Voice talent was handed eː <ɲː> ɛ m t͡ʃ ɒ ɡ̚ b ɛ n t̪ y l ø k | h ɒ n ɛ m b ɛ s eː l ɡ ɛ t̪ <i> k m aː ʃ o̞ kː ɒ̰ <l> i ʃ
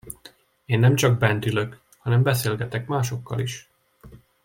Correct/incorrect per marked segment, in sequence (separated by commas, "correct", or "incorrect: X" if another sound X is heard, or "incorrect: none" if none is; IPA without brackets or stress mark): incorrect: nː, incorrect: ɛ, correct